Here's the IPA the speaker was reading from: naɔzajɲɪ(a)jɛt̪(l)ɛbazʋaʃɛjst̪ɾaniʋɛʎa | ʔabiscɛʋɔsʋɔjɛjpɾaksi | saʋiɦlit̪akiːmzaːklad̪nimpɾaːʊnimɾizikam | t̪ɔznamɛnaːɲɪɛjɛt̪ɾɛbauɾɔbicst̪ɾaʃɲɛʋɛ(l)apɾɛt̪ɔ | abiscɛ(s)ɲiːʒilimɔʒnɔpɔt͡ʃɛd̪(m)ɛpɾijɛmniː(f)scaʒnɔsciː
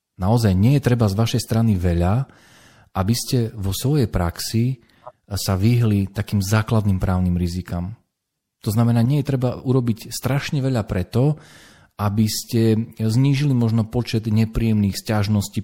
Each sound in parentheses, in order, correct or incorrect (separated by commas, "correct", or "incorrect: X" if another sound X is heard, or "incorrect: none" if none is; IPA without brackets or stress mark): incorrect: ɛ, incorrect: ɾ, incorrect: ʎ, incorrect: z, incorrect: ɲ, incorrect: x